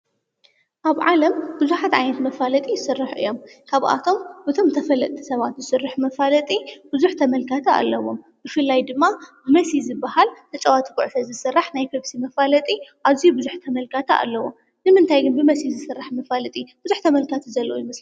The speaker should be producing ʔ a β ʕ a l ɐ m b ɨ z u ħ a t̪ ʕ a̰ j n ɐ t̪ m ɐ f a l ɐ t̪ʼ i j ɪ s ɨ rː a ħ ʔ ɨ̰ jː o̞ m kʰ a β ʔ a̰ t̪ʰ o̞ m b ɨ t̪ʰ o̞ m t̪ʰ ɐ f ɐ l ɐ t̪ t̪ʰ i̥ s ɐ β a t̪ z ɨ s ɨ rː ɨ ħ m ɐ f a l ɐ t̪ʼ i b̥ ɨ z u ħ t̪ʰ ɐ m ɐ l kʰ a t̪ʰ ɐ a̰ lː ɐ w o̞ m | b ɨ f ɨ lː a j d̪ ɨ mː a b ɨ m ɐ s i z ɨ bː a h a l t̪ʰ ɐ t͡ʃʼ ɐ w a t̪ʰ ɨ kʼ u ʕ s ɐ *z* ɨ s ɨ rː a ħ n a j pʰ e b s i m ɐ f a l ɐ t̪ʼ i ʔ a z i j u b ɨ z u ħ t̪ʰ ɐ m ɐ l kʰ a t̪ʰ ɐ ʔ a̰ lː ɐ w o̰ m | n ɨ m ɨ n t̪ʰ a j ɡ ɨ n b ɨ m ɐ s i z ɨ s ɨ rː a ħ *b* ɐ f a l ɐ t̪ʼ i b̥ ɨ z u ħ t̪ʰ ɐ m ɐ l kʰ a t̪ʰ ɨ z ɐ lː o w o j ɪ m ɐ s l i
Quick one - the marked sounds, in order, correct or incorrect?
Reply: correct, incorrect

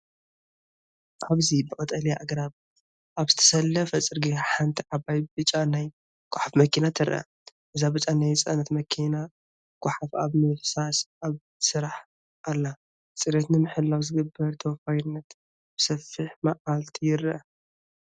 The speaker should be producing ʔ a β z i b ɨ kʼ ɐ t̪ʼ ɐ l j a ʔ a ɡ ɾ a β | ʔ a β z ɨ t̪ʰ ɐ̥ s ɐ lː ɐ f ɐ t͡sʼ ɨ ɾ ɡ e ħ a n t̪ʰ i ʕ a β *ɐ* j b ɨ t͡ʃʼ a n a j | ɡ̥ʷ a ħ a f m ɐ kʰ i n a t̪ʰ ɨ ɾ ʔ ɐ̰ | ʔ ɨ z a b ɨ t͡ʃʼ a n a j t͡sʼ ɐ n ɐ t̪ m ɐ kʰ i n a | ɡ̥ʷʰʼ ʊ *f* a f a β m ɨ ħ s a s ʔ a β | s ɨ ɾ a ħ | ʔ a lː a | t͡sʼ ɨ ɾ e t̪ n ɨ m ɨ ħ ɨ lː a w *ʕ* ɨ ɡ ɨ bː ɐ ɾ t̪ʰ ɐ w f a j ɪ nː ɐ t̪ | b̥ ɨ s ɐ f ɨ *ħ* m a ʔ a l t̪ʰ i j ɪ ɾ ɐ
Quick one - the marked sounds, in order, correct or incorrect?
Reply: incorrect, incorrect, incorrect, correct

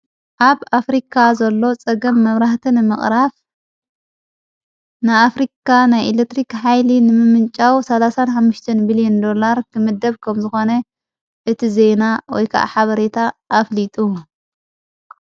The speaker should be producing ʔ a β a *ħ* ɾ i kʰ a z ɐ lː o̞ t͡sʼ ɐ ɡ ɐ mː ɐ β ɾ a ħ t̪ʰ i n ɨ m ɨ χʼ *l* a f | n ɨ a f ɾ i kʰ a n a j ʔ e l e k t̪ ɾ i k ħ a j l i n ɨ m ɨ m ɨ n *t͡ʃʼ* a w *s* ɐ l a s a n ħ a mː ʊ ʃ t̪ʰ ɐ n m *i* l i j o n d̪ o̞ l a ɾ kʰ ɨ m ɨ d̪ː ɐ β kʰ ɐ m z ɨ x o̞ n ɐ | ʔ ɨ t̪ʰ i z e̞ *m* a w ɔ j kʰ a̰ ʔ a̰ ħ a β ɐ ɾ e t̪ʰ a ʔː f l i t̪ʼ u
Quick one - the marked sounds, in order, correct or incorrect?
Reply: incorrect, incorrect, correct, correct, correct, incorrect

